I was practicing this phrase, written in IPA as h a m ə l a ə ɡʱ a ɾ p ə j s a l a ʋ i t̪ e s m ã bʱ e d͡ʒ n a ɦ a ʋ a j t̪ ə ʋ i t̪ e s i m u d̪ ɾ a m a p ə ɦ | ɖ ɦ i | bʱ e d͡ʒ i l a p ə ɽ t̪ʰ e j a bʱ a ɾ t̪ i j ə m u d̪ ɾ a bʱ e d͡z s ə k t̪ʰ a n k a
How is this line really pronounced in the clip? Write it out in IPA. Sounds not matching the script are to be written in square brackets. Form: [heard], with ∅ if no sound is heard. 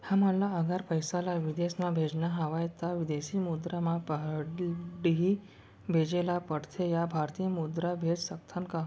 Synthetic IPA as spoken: h a m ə l a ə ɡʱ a ɾ p ə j s a l a ʋ i [d̪] e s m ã bʱ e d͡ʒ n a ɦ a ʋ a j t̪ [a] ʋ i [d̪] e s i m u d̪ ɾ a m a p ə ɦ | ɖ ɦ i | bʱ e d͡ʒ [e] l a p ə ɽ t̪ʰ e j a bʱ a ɾ t̪ i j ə m u d̪ ɾ a bʱ e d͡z s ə k t̪ʰ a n k a

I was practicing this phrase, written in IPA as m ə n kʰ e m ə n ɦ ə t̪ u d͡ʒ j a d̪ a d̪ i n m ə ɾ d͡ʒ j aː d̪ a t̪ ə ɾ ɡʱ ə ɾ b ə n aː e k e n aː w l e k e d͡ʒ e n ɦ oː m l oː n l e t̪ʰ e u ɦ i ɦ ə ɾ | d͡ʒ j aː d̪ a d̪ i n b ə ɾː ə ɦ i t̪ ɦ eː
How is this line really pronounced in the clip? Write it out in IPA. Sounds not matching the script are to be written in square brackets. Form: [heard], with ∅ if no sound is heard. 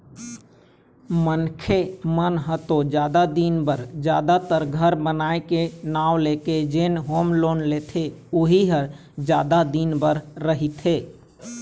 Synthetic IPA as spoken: m ə n kʰ e m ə n ɦ ə t̪ [o] d͡ʒ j a d̪ a d̪ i n [b] ə ɾ d͡ʒ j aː d̪ a t̪ ə ɾ ɡʱ ə ɾ b ə n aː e k e n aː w l e k e d͡ʒ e n ɦ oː m l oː n l e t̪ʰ e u ɦ i ɦ ə ɾ | d͡ʒ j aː d̪ a d̪ i n b ə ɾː ə ɦ i t̪ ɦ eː

